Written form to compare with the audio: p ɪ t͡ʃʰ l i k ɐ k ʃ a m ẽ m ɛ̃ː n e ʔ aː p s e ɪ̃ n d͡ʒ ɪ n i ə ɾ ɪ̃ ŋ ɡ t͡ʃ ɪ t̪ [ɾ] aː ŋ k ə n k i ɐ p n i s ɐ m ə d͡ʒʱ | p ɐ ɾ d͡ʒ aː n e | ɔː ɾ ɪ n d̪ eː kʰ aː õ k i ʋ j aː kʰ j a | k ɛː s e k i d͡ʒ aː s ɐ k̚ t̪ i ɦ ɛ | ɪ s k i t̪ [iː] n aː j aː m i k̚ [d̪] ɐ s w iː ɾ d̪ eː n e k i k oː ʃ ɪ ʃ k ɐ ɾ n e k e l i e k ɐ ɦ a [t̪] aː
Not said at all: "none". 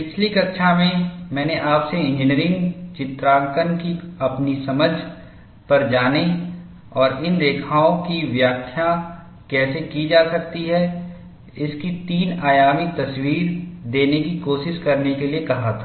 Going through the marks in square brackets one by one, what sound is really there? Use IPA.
ɾ, iː, t̪, t̪ʰ

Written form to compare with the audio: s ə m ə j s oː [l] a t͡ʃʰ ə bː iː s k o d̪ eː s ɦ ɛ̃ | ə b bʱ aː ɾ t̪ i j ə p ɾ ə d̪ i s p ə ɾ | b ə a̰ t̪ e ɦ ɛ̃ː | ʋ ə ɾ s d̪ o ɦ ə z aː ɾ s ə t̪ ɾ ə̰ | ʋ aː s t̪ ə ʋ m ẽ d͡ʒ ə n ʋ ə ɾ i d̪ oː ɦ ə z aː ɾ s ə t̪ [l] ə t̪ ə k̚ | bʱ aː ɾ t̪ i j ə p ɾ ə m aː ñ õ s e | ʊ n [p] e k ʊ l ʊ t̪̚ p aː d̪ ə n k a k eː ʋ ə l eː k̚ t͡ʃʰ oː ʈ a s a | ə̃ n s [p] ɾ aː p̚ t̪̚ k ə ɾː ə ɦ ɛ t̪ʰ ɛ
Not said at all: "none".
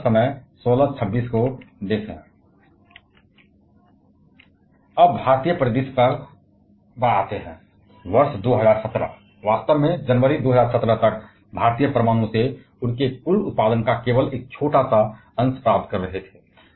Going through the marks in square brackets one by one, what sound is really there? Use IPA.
l, ɾ, k, p

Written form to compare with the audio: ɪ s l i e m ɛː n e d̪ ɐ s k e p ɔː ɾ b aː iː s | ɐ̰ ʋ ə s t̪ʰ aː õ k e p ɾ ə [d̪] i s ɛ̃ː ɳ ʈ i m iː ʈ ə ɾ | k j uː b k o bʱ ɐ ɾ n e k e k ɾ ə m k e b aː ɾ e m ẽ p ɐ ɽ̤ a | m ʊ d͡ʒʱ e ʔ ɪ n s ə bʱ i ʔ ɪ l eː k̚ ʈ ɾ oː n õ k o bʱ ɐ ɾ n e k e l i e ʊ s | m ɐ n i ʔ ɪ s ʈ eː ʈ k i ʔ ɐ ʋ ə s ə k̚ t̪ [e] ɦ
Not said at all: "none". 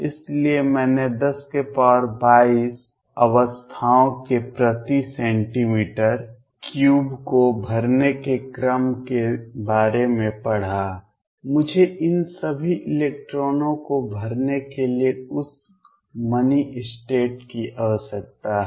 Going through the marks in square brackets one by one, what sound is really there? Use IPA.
t̪, a

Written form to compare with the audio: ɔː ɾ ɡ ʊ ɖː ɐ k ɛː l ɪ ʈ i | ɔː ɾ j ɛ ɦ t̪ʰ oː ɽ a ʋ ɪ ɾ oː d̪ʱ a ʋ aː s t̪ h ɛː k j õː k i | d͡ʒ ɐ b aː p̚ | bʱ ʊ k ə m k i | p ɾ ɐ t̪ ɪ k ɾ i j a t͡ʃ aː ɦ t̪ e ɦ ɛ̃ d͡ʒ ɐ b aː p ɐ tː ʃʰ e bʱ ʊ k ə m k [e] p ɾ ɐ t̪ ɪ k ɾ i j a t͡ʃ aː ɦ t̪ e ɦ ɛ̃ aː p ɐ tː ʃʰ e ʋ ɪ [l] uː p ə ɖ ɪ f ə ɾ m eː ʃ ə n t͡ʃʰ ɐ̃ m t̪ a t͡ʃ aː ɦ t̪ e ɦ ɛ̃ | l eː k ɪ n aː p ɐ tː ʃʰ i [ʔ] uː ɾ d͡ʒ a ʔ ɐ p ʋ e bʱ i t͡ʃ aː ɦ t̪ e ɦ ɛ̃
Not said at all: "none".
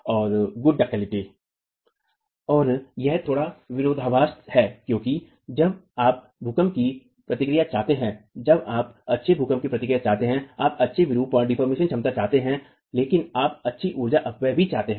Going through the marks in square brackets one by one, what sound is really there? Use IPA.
i, ɾ, ʔ

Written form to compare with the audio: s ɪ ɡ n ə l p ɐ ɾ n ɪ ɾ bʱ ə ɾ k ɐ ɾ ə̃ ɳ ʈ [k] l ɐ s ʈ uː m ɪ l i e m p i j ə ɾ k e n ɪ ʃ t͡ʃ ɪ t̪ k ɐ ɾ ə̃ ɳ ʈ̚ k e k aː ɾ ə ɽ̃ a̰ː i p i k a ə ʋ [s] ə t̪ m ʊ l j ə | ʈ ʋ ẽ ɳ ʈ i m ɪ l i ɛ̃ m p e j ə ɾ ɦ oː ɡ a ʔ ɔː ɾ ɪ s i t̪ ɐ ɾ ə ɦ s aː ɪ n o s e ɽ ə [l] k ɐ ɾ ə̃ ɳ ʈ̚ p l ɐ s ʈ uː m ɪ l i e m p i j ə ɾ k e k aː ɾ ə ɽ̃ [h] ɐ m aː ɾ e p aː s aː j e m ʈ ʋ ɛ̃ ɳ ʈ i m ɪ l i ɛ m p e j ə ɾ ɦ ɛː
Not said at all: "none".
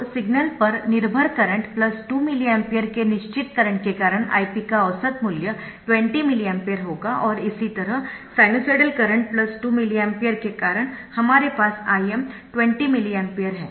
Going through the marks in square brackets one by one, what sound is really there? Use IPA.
p, s, l, h

